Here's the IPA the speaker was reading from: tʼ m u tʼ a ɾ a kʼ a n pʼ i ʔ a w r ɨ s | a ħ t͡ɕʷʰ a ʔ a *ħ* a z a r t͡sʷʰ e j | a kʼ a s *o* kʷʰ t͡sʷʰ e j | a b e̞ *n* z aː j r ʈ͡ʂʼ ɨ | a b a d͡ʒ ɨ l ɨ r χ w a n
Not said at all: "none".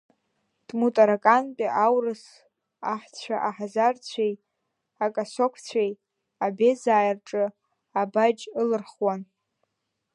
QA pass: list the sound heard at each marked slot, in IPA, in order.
ħ, o, none

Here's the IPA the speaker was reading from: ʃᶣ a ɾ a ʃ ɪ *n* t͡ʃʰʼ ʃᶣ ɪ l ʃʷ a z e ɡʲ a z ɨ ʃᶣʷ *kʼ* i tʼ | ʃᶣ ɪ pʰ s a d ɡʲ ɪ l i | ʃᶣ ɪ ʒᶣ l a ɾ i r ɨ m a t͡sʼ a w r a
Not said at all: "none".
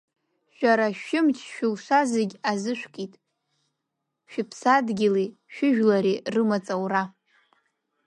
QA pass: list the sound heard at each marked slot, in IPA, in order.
m, kʼ

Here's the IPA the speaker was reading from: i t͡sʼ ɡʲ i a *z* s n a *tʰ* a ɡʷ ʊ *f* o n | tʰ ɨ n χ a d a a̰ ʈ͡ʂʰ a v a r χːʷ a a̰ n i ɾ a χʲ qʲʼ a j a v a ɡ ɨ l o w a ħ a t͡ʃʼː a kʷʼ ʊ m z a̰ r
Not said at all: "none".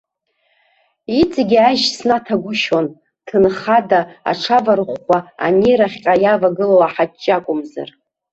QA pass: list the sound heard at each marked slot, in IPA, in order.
ʒ, tʰ, ʃ

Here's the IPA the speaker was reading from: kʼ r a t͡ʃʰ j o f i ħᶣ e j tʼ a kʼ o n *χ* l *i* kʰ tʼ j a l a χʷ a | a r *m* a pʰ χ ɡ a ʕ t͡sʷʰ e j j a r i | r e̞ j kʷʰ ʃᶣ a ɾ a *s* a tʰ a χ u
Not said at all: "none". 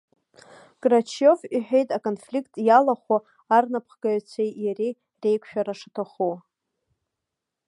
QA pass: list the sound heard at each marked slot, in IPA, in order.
f, i, n, ʂ

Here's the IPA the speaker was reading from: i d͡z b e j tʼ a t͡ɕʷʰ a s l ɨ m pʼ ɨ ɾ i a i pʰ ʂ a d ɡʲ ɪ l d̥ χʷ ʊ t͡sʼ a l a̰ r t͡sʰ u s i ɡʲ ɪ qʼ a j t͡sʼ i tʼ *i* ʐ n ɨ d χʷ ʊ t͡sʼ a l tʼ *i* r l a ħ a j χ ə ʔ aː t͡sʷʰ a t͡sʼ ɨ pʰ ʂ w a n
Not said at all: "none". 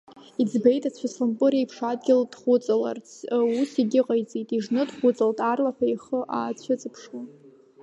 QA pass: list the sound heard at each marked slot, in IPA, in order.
i, a

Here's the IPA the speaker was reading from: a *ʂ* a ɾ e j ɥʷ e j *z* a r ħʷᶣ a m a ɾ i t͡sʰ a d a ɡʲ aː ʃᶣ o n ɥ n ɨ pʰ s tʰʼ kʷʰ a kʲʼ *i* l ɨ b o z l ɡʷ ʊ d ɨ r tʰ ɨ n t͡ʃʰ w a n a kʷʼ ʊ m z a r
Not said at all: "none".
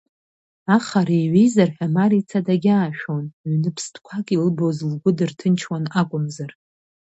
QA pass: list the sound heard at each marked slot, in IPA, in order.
χ, z, i

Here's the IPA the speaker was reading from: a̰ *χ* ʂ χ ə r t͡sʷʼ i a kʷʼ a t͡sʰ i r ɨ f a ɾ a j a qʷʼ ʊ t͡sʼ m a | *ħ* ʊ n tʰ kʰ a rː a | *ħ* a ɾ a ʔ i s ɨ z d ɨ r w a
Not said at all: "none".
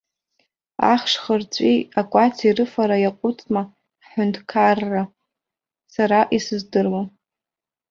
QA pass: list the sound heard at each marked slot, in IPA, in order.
χ, ħ, s

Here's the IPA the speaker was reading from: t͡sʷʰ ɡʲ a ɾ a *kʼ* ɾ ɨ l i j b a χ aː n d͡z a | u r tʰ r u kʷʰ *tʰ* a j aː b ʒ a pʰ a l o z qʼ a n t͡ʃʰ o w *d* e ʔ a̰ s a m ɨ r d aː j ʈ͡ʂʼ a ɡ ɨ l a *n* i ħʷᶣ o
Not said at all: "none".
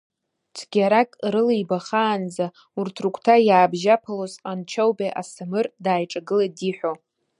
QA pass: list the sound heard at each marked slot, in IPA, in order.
kʼ, tʰ, b, d

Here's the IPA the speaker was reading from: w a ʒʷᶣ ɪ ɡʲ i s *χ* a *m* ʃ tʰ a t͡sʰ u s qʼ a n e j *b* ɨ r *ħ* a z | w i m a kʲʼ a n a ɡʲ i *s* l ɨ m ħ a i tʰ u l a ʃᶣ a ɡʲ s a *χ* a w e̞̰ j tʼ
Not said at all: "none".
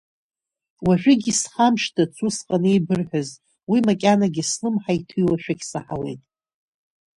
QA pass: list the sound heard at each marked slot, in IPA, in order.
χ, m, b, ħ, s, ħ

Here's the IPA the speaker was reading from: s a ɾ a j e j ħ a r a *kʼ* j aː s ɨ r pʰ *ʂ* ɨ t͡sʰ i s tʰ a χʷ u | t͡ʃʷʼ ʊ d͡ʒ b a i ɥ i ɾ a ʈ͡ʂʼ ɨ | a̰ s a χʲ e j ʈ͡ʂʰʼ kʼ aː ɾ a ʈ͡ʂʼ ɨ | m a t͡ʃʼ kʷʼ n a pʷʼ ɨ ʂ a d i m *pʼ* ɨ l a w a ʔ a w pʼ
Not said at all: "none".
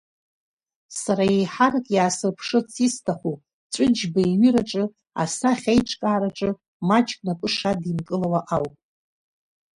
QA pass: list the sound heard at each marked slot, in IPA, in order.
kʼ, ʂ, kʼ

